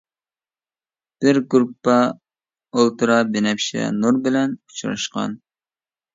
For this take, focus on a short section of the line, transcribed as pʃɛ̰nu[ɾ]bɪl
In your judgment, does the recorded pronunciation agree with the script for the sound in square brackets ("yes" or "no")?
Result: yes